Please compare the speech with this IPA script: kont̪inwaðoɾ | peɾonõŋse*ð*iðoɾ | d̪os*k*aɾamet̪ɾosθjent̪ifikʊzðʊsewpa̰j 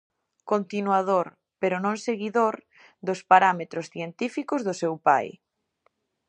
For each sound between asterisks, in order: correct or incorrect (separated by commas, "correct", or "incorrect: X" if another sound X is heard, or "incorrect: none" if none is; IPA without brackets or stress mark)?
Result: incorrect: ɣ, incorrect: p